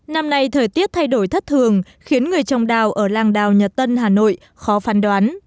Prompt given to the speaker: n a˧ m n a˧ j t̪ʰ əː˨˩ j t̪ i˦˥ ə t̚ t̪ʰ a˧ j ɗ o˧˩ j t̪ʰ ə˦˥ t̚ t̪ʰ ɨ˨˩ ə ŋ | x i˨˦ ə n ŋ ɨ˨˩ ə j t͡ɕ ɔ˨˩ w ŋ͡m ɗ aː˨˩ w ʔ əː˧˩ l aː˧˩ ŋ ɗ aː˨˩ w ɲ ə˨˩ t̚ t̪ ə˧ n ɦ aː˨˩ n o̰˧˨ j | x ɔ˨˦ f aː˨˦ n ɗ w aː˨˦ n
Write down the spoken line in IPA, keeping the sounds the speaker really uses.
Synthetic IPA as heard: n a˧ m n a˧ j t̪ʰ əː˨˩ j t̪ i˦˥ ə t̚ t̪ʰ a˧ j ɗ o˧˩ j t̪ʰ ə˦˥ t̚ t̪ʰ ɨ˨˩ ə ŋ | x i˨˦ ə n ŋ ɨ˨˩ ə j t͡ɕ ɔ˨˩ w ŋ͡m ɗ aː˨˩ w ʔ əː˧˩ l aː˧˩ ŋ ɗ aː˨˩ w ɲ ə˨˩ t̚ t̪ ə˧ n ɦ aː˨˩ n o̰˧˨ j | x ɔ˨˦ f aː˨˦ n ɗ w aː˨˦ n